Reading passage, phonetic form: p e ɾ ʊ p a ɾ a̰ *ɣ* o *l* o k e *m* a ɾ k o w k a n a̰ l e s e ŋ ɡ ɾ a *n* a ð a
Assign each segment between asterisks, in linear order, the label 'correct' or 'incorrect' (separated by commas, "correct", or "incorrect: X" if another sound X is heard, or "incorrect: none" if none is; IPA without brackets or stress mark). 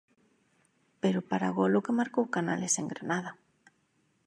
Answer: correct, correct, correct, correct